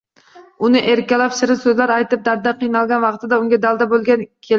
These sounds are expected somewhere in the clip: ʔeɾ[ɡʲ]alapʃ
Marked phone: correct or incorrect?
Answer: incorrect